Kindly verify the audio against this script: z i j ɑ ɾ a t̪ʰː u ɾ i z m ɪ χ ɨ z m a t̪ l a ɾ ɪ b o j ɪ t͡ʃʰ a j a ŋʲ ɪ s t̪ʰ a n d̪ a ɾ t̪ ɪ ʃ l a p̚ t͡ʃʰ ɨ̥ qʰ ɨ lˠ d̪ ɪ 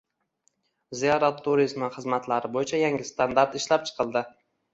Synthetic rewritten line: z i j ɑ ɾ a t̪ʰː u ɾ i z m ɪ χ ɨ z m a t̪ l a ɾ ɪ b o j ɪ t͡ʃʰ a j a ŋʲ ɪ s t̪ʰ a n d̪ a ɾ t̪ ɪ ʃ l a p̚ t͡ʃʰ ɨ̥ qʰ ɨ lˠ d̪ ɪ